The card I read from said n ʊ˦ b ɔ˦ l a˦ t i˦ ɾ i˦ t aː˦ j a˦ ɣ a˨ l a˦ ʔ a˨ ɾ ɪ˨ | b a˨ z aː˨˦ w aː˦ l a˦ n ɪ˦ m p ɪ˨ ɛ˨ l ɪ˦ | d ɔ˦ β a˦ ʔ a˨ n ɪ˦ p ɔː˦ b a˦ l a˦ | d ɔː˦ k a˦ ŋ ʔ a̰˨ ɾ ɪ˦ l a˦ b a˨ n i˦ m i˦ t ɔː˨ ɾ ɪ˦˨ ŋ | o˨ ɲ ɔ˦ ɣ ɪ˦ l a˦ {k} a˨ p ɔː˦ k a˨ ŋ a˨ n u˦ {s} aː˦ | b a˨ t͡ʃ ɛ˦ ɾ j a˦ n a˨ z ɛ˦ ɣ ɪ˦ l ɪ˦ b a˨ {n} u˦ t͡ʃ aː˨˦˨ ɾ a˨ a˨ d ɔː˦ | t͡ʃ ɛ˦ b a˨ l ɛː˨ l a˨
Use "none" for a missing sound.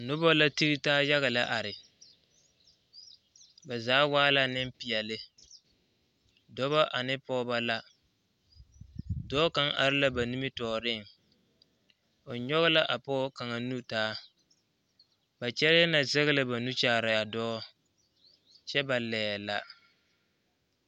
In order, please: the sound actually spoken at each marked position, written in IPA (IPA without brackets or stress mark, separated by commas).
ʔ, t, n